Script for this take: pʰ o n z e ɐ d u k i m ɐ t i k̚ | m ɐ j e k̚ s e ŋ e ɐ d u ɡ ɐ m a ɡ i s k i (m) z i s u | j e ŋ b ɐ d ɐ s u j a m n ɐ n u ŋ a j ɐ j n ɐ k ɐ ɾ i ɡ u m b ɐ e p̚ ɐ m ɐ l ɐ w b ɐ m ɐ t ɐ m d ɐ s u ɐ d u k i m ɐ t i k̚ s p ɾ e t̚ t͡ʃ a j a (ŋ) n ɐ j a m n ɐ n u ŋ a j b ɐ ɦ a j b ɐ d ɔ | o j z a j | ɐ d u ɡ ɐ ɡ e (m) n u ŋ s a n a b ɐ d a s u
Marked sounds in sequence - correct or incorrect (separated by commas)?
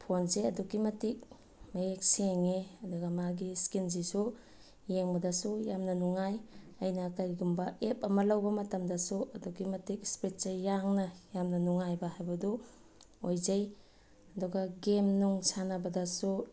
incorrect, correct, correct